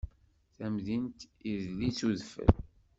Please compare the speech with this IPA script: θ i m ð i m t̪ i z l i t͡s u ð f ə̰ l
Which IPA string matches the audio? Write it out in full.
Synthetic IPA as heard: θ æ m ð i n t̪ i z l i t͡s u ð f ə̰ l